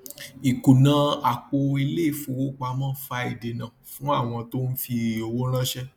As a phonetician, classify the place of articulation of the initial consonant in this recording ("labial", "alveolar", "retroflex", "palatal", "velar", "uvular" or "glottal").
velar